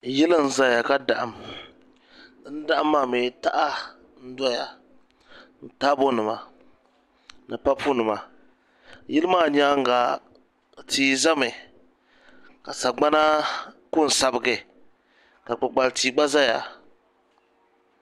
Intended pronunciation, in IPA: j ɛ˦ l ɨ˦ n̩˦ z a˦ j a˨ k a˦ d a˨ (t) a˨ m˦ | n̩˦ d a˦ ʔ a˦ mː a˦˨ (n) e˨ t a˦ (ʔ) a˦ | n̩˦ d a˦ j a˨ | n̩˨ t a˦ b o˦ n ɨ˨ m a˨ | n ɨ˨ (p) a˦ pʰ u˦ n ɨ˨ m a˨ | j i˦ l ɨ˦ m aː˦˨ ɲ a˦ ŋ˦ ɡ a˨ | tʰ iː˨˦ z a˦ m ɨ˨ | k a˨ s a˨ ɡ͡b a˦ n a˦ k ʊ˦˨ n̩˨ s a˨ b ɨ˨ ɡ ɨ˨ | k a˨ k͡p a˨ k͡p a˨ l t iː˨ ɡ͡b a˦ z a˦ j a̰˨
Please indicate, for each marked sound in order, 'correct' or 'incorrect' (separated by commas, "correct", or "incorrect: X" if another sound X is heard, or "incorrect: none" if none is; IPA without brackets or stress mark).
incorrect: ʔ, incorrect: m, correct, correct